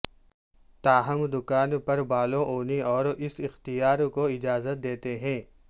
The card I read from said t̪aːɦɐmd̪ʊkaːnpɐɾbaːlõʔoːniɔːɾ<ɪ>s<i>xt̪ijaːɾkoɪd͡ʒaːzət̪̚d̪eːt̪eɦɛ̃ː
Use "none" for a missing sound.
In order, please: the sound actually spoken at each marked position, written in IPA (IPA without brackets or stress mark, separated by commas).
ɪ, ɪ